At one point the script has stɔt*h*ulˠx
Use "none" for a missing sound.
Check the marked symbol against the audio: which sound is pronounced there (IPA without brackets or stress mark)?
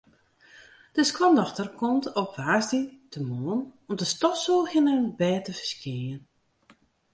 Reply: s